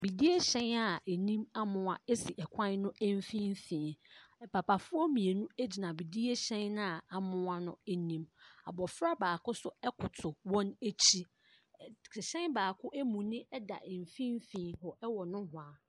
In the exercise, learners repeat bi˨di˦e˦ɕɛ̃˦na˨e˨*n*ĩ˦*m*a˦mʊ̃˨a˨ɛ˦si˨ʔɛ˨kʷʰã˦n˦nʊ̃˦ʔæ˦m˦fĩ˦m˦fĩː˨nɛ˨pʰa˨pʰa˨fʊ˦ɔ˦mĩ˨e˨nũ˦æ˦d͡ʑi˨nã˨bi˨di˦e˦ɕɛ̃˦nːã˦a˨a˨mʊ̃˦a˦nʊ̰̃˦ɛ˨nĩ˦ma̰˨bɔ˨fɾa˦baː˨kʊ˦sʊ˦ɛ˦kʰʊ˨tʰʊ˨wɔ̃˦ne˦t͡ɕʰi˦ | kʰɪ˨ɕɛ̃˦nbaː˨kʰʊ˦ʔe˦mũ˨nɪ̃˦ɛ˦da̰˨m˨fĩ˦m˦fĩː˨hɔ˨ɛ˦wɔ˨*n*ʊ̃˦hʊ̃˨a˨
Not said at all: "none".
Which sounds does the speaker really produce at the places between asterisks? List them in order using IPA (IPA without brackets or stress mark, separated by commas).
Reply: n, m, n